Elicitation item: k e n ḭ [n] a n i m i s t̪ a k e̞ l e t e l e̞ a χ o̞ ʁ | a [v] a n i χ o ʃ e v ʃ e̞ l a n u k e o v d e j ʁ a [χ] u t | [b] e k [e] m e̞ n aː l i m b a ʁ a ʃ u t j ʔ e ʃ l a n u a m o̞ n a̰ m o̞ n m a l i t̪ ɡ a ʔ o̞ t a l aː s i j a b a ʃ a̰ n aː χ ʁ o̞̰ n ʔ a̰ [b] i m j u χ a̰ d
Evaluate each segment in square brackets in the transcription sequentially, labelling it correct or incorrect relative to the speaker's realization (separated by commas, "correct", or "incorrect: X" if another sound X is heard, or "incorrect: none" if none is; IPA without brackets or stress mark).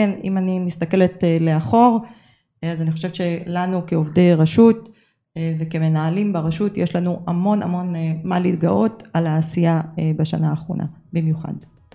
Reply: incorrect: m, incorrect: z, incorrect: ʃ, incorrect: v, correct, correct